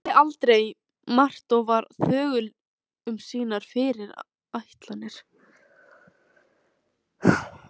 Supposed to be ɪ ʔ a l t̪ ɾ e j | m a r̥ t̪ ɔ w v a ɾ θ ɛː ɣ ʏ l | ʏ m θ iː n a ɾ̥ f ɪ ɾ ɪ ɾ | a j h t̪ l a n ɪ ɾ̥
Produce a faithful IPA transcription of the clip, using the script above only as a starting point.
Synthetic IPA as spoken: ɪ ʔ a l t̪ ɾ e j | m a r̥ t̪ ɔ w v a ɾ θ œː ɣ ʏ l | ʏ m s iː n a ɾ̥ f ɪ ɾ ɪ ɾ | a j h t̪ l a n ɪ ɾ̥